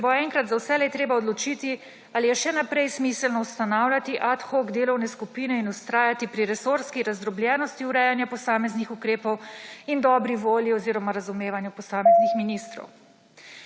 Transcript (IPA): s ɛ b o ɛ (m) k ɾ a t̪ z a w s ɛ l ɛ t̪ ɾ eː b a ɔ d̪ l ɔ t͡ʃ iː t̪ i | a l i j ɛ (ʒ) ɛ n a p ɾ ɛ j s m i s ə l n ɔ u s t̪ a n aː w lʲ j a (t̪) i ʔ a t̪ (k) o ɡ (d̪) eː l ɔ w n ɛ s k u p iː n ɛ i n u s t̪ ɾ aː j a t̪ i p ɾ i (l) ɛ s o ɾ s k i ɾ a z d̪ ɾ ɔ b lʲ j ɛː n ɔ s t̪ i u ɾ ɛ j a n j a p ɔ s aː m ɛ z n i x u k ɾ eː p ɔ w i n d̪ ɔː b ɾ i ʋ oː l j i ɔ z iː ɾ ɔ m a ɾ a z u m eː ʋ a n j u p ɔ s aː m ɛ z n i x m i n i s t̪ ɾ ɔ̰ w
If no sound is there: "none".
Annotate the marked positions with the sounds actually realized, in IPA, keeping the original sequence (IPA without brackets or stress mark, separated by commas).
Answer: ŋ, ʃ, t̪, x, d̪, ɾ